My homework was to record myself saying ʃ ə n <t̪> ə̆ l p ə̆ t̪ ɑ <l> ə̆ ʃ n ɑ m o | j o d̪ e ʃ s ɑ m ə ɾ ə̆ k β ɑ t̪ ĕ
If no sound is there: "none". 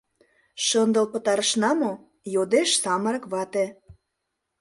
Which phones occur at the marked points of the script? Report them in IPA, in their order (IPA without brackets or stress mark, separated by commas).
d̪, ɾ